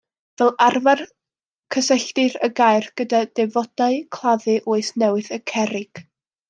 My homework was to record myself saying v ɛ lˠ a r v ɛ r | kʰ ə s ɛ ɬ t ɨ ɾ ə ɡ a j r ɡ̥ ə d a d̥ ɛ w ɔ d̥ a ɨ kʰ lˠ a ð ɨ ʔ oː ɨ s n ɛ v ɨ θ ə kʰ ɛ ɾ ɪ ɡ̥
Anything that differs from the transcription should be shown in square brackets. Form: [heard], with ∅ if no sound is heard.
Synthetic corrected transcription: v ɛ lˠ a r v [a] r | kʰ ə s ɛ ɬ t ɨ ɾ ə ɡ a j r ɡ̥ ə d a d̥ ɛ [v] ɔ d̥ a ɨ kʰ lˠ a ð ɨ ʔ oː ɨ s n ɛ [w] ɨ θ ə kʰ ɛ ɾ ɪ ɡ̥